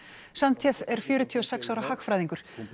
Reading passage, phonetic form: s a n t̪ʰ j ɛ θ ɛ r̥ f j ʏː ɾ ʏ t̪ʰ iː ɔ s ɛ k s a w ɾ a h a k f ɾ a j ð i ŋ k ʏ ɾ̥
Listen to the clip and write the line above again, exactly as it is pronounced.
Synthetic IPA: s a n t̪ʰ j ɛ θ ɛ ɾ̥ f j ʏː ɾ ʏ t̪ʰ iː ɔ s ɛ k s a w ɾ a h a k f ɾ a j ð i ŋ k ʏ ɾ̥